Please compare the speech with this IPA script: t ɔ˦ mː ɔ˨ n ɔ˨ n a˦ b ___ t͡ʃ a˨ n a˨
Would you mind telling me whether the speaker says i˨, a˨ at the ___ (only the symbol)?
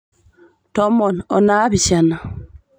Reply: i˨